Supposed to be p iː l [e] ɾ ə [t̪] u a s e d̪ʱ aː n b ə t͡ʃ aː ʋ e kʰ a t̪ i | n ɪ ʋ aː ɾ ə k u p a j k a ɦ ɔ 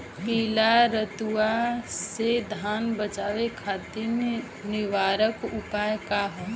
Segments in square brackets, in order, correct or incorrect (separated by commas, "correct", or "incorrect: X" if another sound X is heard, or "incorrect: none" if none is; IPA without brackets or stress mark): incorrect: a, correct